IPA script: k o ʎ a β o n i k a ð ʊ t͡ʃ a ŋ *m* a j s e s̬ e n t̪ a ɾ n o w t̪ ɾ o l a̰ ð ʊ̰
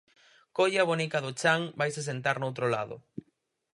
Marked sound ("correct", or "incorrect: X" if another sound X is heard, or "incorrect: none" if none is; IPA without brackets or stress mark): incorrect: b